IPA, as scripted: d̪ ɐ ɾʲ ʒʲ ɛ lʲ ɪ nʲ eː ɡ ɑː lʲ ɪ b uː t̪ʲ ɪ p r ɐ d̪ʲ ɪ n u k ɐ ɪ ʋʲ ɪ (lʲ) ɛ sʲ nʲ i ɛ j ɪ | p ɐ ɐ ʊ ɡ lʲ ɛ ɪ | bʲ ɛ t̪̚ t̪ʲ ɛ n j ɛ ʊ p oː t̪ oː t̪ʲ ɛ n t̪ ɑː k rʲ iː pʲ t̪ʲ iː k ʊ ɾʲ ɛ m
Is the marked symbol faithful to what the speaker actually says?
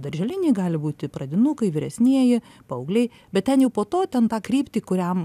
no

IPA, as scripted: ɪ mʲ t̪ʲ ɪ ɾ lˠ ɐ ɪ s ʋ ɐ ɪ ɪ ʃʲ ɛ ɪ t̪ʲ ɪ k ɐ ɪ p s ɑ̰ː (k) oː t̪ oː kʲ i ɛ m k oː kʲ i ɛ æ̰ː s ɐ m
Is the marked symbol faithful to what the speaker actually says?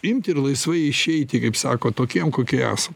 yes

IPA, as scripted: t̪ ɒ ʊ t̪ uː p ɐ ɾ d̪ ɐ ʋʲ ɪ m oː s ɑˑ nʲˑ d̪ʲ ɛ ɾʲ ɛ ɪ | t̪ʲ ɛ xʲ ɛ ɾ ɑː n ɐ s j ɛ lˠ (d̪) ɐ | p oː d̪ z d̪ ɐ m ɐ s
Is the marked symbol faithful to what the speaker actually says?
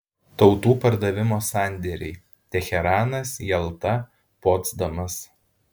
no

